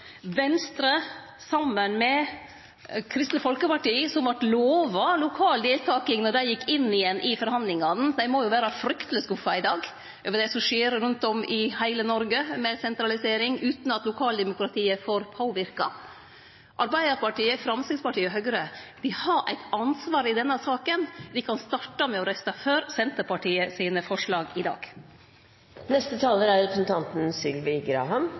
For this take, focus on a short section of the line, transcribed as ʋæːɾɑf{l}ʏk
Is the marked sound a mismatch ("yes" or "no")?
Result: yes